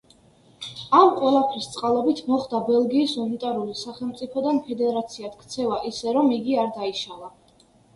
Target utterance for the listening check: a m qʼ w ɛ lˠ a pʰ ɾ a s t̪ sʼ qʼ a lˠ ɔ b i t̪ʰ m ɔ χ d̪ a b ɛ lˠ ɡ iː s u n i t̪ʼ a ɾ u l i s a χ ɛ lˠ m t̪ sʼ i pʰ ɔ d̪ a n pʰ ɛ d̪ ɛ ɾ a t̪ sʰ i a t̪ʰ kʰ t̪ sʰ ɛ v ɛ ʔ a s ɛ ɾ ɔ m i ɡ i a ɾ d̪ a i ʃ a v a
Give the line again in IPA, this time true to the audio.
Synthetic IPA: a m qʼ w ɛ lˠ a pʰ ɾ i s t̪ sʼ qʼ a lˠ ɔ b i t̪ʰ m ɔ χ d̪ a b ɛ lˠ ɡ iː s u n i t̪ʼ a ɾ u l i s a χ ɛ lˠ m t̪ sʼ i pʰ ɔ d̪ a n pʰ ɛ d̪ ɛ ɾ a t̪ sʰ i a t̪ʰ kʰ t̪ sʰ ɛ v a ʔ i s ɛ ɾ ɔ m i ɡ i a ɾ d̪ a i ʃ a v a